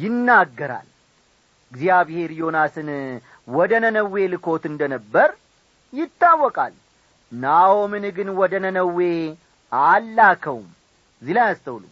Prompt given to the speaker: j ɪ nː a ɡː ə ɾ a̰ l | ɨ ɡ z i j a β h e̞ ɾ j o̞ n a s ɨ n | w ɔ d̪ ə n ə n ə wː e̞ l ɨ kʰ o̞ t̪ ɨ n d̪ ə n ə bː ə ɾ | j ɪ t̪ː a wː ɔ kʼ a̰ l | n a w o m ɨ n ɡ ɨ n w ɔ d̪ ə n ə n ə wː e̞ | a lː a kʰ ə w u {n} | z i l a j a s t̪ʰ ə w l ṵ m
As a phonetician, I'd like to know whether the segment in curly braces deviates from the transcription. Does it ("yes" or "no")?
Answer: yes